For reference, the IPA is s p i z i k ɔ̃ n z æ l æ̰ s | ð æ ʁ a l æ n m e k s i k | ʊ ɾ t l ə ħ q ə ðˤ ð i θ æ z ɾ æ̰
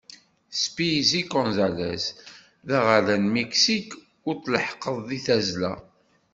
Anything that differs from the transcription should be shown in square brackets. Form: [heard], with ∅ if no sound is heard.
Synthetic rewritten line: s p i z i k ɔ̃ n z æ l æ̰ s | ð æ ʁ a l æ n m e k s i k | ʊ ɾ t l ə ħ q ə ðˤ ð i θ æ z [l] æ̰